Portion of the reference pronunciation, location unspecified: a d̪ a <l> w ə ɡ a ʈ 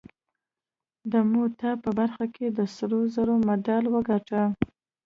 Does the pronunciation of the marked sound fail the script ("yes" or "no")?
no